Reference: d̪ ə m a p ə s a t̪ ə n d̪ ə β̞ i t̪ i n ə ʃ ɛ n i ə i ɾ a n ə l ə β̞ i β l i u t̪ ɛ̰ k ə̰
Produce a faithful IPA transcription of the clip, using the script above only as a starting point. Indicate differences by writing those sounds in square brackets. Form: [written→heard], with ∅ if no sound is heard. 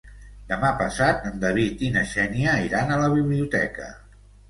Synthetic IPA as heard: d̪ ə m a p ə s a t̪ ə n d̪ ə β̞ i t̪ i n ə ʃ ɛ n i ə i ɾ a n ə l ə β̞ i β l i u t̪ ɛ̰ k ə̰